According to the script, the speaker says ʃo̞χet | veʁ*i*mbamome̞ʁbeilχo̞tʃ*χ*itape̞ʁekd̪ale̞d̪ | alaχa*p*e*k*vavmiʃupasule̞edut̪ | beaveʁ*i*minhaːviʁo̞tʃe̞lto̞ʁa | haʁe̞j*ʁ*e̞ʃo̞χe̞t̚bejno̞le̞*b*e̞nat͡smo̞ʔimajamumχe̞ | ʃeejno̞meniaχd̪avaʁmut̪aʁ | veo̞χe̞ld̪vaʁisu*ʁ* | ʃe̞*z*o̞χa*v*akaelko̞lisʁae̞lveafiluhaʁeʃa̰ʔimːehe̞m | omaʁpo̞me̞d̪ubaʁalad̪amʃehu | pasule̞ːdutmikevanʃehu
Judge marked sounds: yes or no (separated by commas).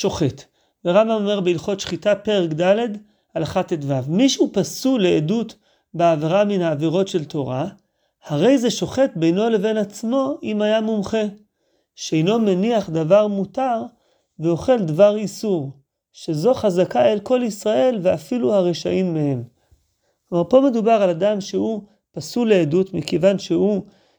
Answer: no, yes, no, no, no, no, no, yes, yes, no